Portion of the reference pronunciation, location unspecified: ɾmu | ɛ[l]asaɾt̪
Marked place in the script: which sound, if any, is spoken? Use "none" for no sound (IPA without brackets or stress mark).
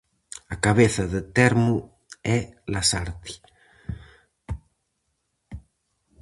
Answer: l